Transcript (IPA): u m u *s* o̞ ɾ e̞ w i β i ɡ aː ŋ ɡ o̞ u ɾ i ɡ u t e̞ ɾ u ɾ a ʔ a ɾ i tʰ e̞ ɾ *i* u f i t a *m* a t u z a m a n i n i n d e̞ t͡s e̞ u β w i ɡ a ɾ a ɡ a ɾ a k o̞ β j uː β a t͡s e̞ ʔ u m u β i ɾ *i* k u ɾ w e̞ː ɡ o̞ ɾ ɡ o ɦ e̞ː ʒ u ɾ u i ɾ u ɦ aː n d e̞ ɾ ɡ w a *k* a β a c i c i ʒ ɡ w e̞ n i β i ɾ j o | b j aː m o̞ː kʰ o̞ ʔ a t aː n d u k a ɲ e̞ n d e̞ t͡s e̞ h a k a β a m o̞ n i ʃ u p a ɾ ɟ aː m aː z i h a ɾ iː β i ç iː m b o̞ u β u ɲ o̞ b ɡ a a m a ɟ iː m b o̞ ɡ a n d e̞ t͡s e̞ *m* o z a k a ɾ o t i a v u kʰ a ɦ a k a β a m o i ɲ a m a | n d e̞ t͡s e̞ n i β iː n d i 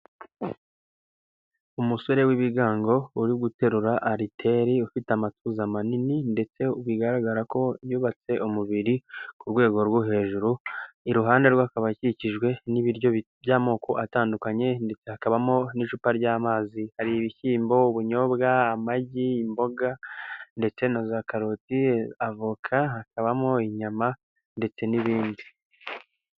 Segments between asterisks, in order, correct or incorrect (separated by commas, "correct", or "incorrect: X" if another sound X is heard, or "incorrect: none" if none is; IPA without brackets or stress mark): correct, correct, correct, correct, correct, incorrect: n